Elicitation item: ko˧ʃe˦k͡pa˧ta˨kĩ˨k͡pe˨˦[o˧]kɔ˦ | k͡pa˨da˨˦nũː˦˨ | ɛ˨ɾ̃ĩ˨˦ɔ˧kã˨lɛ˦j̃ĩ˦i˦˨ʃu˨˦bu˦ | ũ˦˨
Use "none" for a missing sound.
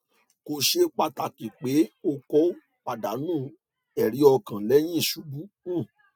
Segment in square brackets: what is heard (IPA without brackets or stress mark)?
o˧